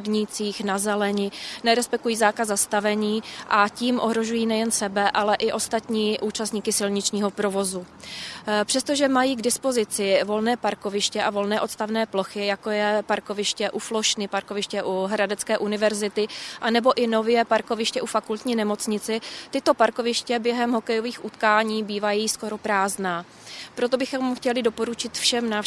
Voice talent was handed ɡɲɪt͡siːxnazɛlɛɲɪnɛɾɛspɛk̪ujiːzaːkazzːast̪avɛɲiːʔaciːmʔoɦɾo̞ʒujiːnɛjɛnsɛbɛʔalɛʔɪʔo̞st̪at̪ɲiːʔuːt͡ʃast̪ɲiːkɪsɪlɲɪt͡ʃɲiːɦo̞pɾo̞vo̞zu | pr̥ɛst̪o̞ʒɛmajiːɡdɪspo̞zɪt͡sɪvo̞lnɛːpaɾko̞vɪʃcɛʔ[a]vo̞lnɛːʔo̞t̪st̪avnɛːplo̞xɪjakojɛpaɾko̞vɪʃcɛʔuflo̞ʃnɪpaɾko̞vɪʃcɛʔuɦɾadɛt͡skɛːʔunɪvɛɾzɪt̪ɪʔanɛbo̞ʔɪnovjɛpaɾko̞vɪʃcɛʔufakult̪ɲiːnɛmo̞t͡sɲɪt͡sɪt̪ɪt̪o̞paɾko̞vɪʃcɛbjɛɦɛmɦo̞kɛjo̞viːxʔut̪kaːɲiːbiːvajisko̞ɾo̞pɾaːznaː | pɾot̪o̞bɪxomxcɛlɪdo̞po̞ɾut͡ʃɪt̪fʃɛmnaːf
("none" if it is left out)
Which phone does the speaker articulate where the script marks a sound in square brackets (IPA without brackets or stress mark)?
a